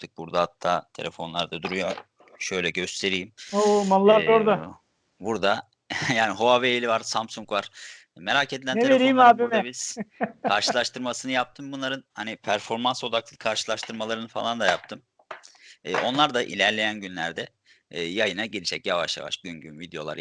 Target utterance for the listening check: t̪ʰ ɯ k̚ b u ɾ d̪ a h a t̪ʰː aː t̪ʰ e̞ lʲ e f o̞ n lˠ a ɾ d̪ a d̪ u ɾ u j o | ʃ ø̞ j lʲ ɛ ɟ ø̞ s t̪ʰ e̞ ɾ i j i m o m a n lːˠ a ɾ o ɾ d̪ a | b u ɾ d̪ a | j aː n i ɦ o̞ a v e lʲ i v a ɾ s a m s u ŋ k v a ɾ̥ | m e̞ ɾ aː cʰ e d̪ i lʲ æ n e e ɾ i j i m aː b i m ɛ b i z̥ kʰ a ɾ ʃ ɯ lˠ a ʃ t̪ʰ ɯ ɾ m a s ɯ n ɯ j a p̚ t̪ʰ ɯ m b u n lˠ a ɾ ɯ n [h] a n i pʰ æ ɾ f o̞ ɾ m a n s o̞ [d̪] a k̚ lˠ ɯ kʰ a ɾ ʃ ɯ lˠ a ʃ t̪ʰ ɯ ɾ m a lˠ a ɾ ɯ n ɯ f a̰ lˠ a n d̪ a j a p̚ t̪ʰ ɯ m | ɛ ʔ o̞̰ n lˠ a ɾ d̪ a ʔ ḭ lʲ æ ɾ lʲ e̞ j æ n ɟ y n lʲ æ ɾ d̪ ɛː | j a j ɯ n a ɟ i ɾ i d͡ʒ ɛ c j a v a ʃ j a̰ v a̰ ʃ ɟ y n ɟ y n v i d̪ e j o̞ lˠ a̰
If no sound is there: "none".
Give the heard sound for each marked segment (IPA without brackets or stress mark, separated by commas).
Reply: h, d̪